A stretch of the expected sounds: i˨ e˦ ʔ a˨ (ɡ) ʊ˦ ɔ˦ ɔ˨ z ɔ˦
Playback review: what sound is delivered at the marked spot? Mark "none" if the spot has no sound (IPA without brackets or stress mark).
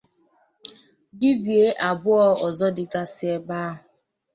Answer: b